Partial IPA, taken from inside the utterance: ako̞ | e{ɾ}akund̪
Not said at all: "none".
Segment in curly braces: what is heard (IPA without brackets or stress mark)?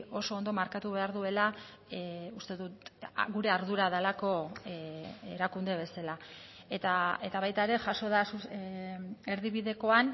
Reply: ɾ